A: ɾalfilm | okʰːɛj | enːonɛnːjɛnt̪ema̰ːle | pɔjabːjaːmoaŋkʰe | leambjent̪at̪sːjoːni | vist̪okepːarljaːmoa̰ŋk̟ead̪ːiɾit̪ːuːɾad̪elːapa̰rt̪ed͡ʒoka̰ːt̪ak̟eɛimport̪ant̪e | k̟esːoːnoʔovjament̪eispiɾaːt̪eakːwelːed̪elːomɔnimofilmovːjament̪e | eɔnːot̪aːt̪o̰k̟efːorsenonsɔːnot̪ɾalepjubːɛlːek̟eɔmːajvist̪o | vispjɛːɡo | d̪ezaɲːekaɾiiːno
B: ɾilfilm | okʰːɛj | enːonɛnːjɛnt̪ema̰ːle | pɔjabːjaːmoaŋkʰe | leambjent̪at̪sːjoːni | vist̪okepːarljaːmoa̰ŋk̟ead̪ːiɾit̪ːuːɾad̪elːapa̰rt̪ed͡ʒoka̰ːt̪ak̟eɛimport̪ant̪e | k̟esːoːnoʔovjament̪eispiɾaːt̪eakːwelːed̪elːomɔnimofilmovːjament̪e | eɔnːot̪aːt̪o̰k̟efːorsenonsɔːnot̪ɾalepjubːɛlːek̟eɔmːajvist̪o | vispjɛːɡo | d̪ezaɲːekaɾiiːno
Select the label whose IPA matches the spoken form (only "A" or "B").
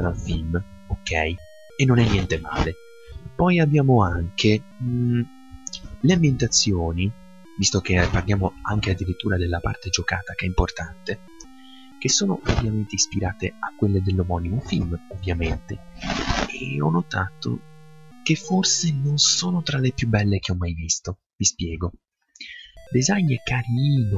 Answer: A